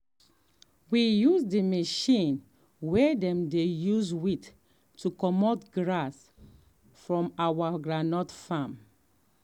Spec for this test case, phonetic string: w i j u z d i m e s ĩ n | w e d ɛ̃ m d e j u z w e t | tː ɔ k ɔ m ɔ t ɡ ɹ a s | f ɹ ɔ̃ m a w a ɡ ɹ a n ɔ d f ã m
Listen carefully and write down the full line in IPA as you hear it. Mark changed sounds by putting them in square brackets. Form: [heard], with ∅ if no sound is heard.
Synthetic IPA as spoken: w i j u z d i m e [ʃ] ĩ n | w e d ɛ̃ m d e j u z w [i] t | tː [u] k ɔ m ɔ t ɡ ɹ a s | f ɹ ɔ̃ m a w a ɡ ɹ a n ɔ [t] f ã m